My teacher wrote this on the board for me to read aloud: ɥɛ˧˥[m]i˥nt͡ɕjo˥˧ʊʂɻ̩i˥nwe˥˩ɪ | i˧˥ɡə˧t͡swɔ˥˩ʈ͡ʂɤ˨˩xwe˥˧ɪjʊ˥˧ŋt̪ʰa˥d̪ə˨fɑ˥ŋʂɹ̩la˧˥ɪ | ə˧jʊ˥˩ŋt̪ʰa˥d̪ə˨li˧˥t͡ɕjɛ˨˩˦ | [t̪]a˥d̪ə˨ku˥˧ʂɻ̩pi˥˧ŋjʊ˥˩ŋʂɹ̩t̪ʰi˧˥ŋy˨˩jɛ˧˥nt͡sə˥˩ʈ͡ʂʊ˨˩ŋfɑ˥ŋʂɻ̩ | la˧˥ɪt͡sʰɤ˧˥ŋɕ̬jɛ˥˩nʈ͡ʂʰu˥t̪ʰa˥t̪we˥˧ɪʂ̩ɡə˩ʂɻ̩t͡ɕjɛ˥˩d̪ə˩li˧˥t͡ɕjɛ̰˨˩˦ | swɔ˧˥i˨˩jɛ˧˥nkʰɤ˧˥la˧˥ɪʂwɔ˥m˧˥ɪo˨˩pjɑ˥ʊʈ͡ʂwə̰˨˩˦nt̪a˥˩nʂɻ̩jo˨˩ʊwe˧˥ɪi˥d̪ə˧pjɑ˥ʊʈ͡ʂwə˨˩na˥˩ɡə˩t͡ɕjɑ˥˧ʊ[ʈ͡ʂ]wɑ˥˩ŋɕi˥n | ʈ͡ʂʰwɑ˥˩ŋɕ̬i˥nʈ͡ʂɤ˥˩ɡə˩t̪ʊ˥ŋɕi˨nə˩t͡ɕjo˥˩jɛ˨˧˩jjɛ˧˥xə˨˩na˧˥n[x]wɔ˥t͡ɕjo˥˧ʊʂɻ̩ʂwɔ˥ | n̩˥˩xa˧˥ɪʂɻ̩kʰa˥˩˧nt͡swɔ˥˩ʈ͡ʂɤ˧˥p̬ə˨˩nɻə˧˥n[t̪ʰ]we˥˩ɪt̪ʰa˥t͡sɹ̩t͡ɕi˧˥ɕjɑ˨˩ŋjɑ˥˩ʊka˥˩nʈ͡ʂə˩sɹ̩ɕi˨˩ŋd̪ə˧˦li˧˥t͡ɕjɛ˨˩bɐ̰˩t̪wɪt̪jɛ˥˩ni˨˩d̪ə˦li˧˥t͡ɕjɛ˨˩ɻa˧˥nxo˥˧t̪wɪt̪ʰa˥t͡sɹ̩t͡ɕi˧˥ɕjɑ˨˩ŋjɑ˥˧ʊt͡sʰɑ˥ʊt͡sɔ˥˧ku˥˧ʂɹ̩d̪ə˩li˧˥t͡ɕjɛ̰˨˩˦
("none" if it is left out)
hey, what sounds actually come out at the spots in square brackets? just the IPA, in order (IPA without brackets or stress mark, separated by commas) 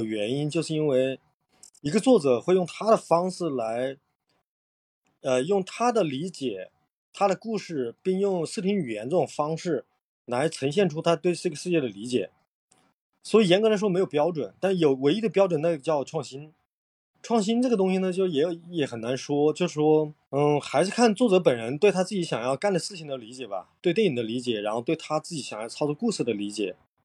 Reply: n, t̪ʰ, ʈ͡ʂʰ, ʂ, t̪